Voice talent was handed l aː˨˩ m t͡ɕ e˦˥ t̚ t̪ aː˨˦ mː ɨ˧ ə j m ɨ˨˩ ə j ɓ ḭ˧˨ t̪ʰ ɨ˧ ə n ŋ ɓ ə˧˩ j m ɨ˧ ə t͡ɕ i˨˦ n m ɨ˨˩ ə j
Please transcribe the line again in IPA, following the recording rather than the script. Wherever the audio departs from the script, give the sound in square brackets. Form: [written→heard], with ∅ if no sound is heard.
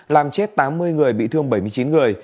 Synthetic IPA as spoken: l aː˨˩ m t͡ɕ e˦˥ t̚ t̪ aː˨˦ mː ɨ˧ ə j [m→ŋ] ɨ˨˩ ə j ɓ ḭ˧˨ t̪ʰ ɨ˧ ə [n→∅] ŋ ɓ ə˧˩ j m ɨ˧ ə t͡ɕ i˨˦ n [m→ŋ] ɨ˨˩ ə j